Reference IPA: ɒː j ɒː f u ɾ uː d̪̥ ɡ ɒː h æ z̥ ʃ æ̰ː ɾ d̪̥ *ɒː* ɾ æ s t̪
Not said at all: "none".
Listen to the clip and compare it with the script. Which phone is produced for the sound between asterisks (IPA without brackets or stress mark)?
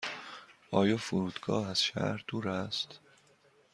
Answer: uː